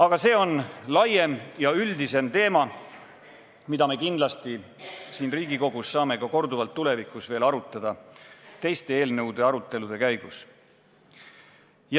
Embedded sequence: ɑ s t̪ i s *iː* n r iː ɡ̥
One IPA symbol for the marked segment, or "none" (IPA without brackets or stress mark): iː